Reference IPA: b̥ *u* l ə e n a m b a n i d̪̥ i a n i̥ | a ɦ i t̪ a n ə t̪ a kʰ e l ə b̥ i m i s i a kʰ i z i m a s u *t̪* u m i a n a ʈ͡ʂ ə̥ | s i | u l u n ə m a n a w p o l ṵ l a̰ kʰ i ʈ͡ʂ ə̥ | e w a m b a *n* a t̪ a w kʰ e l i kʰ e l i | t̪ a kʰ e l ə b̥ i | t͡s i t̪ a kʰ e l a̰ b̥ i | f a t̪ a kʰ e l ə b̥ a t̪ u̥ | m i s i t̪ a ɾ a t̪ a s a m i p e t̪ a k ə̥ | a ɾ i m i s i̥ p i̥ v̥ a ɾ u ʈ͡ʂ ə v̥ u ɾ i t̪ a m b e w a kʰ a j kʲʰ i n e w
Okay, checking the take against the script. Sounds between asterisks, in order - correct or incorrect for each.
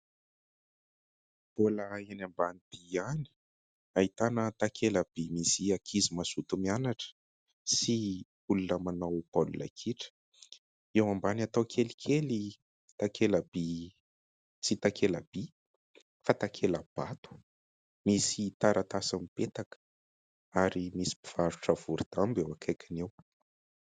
incorrect: o, correct, correct

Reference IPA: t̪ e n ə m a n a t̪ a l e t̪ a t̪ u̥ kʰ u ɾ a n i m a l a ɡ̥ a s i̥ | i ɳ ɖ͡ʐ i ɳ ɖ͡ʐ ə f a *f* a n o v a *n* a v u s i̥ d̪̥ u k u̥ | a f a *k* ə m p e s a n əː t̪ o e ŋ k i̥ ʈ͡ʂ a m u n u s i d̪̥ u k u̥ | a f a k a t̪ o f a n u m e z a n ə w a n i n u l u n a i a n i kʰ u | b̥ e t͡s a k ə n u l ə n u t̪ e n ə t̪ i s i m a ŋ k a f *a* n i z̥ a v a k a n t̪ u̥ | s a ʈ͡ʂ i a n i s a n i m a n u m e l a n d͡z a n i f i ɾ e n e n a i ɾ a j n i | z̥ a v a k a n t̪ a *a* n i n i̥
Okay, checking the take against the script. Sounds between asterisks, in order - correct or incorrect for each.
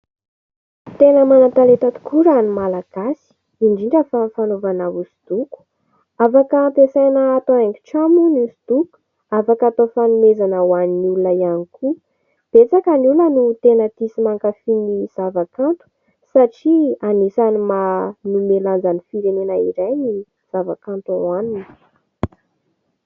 correct, correct, correct, incorrect: i, correct

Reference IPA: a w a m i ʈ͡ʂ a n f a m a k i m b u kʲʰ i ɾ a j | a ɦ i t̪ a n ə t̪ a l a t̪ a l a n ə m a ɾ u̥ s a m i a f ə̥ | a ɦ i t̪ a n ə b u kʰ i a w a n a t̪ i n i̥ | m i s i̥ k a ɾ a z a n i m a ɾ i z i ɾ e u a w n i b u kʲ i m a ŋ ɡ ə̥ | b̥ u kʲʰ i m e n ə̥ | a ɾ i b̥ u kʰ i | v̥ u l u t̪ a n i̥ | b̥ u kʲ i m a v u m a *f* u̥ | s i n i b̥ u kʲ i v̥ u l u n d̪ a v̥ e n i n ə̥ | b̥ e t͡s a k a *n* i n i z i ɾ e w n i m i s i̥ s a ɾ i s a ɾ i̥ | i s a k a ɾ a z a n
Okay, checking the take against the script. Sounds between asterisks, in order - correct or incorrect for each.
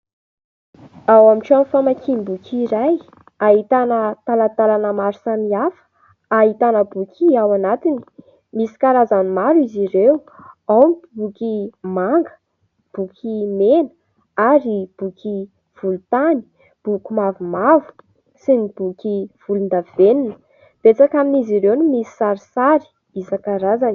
incorrect: v, incorrect: m

